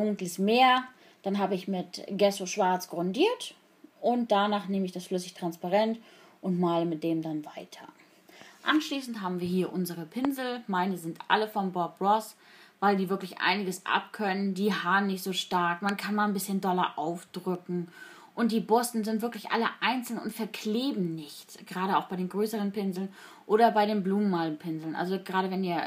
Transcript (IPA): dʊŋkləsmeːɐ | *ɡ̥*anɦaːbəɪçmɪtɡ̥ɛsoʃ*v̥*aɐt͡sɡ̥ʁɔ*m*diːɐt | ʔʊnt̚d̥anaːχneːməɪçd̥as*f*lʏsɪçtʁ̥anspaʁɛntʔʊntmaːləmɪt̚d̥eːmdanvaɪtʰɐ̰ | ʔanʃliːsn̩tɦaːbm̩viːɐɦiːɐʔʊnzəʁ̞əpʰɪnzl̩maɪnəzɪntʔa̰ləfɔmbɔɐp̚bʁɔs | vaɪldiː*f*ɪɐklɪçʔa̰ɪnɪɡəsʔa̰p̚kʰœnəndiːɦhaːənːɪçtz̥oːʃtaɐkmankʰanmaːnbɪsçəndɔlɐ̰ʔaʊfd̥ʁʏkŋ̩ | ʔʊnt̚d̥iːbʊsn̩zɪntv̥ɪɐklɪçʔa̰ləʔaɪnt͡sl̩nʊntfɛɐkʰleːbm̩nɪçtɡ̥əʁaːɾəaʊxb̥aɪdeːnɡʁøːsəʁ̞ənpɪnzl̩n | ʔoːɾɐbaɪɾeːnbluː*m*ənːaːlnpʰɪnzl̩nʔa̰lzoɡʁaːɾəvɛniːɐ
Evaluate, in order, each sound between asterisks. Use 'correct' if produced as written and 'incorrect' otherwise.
incorrect: d̥, correct, incorrect: n, correct, incorrect: v, correct

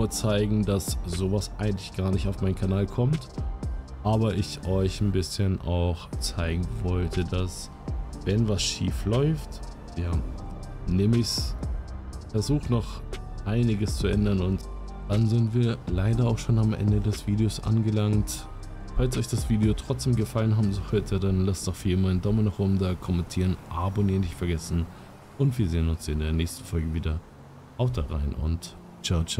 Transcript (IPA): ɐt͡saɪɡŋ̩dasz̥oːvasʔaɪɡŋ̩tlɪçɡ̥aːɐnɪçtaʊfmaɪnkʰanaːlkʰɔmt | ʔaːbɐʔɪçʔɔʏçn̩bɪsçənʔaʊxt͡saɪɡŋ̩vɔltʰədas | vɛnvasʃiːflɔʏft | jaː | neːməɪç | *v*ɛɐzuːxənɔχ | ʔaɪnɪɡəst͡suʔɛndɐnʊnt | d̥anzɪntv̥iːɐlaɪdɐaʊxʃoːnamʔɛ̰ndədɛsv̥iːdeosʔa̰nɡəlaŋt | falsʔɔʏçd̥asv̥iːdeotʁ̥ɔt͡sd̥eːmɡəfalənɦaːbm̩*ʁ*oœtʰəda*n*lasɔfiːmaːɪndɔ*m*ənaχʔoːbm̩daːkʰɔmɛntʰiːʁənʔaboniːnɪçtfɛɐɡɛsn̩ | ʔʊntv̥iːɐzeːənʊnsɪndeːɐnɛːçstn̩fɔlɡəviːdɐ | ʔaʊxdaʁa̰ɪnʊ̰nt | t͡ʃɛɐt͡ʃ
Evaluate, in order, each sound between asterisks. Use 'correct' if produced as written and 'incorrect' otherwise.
incorrect: f, incorrect: z, correct, correct

